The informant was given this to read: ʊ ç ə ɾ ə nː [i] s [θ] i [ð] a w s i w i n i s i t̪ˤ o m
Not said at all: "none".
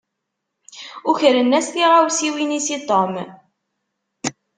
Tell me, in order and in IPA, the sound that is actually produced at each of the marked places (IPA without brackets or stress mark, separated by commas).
æ, θ, ʁ